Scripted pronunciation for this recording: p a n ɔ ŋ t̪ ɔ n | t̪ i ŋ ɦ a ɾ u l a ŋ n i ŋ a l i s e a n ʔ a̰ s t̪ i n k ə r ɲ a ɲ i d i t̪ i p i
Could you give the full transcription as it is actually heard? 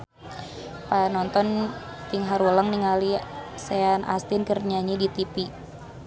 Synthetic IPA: p a n ɔ n t̪ ɔ n | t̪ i ŋ ɦ a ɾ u l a ŋ n i ŋ a l i s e a n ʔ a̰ s t̪ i n k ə r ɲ a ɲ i d i t̪ i p i